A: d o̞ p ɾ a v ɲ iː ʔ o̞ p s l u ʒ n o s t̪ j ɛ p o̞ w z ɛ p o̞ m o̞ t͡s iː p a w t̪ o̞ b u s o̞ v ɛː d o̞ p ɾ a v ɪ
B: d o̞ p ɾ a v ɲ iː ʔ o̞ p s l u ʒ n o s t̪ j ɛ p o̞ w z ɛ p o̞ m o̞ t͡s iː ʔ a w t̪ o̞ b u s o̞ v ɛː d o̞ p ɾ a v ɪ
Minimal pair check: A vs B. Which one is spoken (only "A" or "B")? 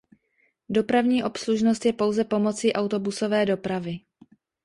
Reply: B